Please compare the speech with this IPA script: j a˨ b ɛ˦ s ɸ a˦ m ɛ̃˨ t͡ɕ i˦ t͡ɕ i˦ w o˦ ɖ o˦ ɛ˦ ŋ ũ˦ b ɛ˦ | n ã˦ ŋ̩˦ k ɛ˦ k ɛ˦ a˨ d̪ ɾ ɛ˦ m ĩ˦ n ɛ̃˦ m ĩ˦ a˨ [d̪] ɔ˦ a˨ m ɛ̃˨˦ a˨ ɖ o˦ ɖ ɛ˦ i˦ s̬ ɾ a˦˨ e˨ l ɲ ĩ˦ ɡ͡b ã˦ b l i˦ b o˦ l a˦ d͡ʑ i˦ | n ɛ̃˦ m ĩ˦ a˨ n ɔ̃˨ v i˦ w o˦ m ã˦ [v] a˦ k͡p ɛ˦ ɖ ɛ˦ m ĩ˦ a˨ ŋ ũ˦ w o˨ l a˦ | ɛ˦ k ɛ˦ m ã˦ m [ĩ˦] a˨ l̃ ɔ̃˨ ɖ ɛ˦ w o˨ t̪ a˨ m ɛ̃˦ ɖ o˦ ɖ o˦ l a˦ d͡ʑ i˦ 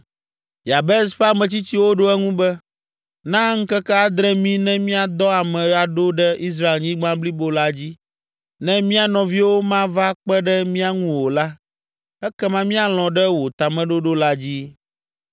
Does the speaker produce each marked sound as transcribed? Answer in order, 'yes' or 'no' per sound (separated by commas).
yes, yes, yes